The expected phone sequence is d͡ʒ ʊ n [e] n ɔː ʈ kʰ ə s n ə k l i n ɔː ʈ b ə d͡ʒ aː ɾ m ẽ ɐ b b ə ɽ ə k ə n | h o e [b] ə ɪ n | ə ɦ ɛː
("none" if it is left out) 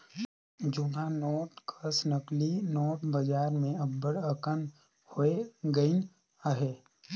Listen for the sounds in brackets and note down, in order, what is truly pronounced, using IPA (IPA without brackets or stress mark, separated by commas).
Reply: a, ɡ